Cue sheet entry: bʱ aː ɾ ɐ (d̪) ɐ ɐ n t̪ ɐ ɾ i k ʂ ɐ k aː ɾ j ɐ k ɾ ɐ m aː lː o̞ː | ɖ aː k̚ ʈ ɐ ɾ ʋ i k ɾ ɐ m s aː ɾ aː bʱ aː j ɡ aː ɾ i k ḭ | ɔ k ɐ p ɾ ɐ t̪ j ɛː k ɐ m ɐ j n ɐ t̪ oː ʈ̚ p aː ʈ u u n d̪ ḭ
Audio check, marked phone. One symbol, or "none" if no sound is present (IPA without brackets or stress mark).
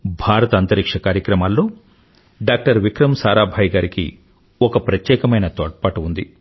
t̪